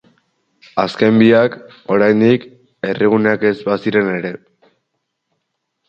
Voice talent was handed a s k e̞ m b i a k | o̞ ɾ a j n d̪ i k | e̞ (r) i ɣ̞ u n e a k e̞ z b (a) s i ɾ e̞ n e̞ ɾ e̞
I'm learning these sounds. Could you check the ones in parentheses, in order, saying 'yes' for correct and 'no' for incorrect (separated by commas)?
yes, yes